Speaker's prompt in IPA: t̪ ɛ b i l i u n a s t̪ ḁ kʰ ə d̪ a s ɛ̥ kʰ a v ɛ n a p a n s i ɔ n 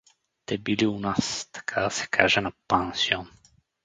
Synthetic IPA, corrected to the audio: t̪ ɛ b i l i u n a s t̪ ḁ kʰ a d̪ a s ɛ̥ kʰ a ʒ ɛ n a p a n s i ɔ n